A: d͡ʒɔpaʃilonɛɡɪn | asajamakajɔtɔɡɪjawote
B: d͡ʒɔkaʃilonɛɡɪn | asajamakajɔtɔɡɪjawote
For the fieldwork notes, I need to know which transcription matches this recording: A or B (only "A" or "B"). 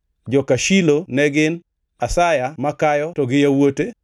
B